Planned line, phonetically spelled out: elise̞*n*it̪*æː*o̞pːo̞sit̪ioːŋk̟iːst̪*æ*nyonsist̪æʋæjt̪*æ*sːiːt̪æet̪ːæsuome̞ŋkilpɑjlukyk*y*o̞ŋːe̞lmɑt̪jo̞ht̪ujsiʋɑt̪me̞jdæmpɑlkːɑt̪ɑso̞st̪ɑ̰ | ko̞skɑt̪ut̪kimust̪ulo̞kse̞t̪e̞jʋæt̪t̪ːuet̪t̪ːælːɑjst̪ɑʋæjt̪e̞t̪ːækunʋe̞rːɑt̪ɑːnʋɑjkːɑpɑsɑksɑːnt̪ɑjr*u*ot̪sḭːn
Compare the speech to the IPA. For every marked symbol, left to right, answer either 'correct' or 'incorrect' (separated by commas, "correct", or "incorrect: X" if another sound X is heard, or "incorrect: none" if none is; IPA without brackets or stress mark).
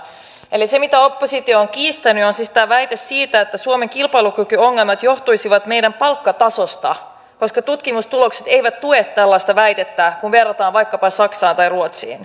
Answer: incorrect: m, incorrect: æ, correct, incorrect: e, correct, correct